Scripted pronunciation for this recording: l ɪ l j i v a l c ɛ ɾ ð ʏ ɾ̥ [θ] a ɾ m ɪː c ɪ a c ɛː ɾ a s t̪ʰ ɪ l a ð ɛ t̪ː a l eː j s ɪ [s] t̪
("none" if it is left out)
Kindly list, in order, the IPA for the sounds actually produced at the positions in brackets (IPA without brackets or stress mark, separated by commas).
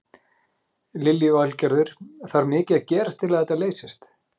θ, s